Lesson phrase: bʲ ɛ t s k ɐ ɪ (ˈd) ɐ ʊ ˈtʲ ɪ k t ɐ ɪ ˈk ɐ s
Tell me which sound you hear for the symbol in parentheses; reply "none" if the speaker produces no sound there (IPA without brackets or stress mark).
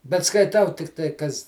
t